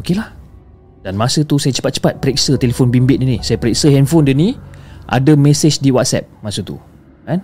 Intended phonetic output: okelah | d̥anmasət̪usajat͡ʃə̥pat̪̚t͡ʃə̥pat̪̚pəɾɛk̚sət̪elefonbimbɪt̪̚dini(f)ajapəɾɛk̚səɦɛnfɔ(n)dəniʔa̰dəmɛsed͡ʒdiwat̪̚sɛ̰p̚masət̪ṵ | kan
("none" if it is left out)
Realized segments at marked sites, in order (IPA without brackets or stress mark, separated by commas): s, n